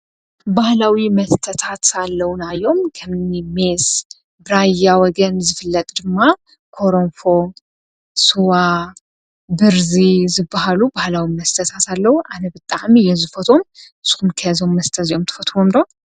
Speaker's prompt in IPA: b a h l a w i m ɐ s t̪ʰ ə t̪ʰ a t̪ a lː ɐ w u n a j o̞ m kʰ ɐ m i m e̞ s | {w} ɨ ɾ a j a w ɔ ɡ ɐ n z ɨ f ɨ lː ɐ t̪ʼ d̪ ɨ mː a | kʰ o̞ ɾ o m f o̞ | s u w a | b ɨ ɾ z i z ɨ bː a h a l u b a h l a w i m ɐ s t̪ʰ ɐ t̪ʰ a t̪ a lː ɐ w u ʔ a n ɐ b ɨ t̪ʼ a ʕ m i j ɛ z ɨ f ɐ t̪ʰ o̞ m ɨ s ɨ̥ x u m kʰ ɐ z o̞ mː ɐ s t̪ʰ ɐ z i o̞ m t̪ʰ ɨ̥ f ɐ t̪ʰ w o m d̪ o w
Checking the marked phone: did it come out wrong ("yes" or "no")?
yes